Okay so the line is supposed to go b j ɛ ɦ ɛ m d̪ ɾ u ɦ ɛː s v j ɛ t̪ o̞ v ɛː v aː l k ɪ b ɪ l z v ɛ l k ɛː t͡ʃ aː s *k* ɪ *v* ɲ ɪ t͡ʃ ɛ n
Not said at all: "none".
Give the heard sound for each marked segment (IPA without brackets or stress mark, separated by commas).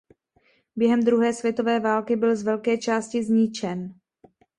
c, z